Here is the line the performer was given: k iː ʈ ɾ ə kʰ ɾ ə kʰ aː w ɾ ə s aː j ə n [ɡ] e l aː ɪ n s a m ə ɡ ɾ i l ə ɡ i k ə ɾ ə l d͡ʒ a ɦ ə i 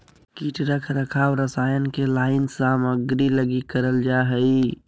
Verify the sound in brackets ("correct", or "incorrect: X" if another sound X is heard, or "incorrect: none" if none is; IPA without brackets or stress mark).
incorrect: k